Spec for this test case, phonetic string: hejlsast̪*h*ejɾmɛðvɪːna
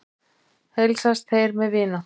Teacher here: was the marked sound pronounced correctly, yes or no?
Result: no